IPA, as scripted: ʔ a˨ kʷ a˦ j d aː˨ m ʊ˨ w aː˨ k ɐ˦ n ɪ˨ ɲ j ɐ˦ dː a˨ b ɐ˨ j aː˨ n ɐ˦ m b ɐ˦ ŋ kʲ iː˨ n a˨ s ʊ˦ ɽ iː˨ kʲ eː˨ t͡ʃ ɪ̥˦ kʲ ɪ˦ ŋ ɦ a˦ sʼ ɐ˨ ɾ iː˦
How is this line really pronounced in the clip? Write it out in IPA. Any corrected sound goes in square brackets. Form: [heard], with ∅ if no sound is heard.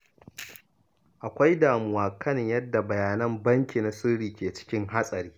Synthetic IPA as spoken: ʔ a˨ kʷ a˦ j d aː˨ m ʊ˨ w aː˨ k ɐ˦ n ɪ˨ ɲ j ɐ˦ dː a˨ b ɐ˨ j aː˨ n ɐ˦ m b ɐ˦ ŋ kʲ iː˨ n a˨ s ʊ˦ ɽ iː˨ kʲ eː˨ t͡ʃ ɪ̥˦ kʲ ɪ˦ ŋ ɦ a˦ sʼ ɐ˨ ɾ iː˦